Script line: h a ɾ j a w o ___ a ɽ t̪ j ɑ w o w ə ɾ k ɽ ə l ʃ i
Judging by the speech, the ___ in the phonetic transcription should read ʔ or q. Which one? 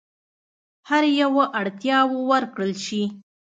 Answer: ʔ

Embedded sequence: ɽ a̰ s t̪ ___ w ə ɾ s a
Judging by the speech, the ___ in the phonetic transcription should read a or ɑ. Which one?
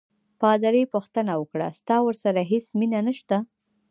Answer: ɑ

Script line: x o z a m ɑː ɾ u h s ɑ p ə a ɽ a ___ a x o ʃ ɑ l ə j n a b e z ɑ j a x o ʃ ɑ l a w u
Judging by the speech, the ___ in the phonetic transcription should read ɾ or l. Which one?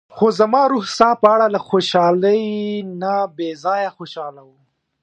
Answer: l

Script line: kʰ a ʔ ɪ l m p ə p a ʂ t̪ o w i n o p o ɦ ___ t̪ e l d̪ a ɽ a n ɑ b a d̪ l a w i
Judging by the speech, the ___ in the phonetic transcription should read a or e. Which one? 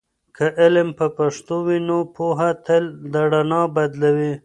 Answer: a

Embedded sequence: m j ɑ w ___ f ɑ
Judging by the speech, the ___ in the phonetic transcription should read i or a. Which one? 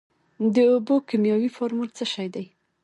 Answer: i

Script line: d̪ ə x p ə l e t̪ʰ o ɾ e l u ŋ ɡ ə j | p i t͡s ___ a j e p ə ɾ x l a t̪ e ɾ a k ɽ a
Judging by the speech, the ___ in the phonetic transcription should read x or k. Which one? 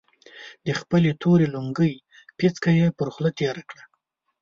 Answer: k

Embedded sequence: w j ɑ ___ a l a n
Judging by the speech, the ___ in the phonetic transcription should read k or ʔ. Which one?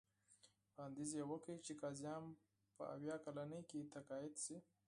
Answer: k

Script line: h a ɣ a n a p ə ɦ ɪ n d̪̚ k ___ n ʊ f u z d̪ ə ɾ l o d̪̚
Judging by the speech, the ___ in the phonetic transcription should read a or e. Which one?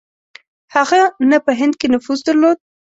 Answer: e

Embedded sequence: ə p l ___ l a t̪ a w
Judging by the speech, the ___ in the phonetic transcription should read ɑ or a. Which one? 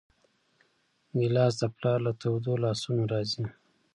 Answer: ɑ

